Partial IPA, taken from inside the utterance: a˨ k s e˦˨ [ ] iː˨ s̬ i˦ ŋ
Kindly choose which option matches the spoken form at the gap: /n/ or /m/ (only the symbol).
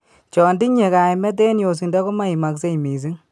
m